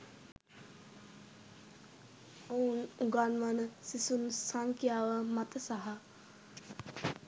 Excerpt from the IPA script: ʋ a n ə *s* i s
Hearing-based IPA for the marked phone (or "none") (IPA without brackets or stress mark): s